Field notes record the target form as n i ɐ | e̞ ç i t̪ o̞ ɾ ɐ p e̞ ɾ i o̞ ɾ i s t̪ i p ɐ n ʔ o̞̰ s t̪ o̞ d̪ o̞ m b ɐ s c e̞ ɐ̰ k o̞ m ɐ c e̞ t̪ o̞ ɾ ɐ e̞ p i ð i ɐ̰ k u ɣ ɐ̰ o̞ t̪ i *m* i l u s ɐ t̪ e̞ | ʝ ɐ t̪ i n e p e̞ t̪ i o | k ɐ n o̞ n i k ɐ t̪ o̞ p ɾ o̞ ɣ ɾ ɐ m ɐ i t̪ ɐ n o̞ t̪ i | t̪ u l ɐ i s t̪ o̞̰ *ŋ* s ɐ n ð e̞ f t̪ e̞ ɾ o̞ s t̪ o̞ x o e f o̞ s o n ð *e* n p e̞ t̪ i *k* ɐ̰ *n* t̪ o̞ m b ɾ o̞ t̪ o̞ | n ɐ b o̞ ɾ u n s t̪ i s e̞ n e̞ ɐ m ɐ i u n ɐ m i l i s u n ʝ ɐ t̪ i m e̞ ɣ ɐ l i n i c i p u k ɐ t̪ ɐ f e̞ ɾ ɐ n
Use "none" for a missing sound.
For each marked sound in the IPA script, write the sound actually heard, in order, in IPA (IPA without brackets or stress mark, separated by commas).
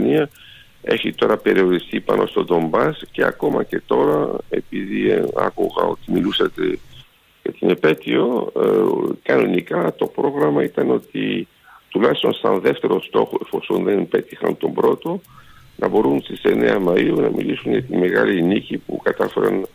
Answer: m, n, e, x, n